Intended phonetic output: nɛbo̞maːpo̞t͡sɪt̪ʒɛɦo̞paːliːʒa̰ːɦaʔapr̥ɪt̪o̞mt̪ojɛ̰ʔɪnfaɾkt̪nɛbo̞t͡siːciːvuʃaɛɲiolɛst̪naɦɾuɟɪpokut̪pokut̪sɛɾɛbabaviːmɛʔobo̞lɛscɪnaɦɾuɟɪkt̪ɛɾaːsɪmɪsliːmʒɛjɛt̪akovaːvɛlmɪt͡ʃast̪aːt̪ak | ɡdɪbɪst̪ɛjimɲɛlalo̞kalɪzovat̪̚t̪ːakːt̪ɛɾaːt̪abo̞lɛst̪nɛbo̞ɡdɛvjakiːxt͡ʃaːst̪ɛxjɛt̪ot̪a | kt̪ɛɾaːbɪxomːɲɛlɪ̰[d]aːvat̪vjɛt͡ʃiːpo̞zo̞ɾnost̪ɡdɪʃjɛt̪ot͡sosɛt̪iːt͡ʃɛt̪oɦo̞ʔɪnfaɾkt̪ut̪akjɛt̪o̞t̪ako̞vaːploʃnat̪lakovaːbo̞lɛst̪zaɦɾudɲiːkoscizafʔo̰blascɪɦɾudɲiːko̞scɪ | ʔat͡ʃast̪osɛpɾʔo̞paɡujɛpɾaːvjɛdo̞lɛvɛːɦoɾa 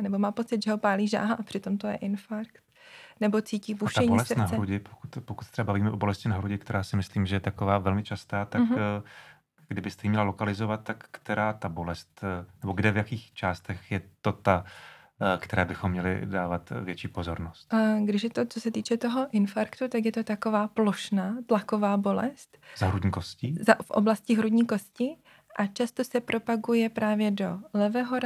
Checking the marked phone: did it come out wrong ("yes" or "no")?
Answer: no